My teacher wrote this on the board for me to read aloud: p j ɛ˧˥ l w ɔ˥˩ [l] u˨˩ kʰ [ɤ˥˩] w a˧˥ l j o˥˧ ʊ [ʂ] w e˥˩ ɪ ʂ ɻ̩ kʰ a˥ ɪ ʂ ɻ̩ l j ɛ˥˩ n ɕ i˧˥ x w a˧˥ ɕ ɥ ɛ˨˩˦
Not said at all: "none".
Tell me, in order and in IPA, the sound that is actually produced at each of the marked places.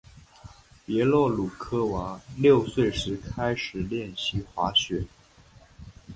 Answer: l, ɤ˥, s

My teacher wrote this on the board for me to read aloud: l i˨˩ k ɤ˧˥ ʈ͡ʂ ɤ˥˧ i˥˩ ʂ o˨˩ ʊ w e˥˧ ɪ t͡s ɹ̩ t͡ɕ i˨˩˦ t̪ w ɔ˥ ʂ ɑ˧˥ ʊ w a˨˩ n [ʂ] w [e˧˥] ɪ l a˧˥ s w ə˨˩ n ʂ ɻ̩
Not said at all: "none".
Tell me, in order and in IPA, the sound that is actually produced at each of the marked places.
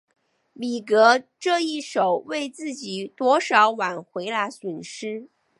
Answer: x, e˧˥

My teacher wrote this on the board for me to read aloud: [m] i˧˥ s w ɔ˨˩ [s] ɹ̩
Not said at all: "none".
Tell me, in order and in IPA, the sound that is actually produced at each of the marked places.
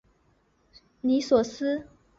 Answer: n, s

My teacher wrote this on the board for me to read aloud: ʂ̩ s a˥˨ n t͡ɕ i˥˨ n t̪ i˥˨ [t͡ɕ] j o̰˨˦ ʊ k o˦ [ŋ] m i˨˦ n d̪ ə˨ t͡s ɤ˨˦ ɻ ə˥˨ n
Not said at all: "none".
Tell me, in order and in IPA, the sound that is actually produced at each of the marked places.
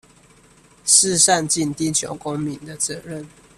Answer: t͡ɕʰ, ŋ

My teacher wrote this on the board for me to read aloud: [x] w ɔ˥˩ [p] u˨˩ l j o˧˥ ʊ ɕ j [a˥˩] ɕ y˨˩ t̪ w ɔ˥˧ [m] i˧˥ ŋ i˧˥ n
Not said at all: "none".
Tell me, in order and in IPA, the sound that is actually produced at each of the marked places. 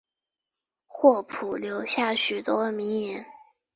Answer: x, pʰ, a˥˩, m

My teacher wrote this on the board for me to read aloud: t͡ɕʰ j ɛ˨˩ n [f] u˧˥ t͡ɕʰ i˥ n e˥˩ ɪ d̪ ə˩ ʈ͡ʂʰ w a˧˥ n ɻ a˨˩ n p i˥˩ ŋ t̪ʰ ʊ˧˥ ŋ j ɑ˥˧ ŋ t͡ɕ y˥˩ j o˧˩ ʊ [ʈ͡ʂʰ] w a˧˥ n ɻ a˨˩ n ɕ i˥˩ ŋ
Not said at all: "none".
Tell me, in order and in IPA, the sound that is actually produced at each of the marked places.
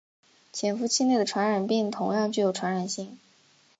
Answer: f, ʈ͡ʂʰ

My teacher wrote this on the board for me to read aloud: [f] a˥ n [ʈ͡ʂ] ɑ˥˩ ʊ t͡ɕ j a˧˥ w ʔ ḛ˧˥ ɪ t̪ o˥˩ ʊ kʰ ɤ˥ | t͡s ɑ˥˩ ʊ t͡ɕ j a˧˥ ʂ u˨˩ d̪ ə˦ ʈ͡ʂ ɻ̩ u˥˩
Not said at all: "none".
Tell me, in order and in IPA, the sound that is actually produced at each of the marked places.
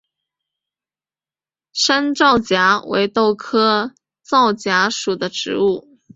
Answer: ʂ, ʈ͡ʂ

